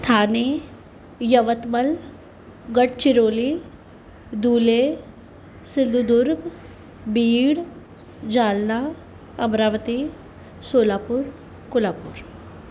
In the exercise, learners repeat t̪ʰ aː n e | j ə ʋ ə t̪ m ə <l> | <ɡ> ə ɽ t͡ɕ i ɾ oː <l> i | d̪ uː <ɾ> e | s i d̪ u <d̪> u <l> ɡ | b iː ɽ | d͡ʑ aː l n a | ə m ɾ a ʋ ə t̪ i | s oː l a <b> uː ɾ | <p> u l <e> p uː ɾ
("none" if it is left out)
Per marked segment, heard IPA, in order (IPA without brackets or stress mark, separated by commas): l, ɡ, l, l, d̪, ɾ, p, k, a